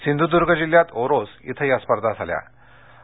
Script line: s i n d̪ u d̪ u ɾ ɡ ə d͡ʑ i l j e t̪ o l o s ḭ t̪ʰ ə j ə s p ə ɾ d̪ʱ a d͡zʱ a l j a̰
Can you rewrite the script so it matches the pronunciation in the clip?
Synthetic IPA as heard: s i n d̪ u d̪ u ɾ ɡ ə d͡ʑ i l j a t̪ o ɾ o s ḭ t̪ʰ ə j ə s p ə ɾ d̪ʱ a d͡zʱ a l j a̰